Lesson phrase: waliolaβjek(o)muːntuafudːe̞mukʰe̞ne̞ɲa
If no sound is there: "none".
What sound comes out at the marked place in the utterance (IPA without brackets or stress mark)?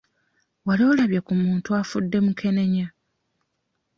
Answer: u